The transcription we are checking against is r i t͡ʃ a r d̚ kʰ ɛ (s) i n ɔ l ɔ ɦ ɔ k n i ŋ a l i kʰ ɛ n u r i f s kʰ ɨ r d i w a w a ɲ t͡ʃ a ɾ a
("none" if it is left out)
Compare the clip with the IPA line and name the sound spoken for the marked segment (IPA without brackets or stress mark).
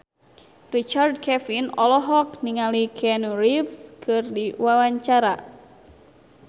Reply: f